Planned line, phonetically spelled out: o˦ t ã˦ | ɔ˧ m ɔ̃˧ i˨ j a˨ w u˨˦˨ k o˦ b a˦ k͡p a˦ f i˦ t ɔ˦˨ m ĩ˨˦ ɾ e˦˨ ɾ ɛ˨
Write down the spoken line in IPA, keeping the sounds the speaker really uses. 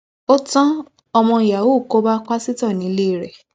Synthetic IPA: o˦ t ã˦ | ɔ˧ m ɔ̃˧ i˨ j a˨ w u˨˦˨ k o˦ b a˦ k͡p a˦ s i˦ t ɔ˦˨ n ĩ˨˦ l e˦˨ ɾ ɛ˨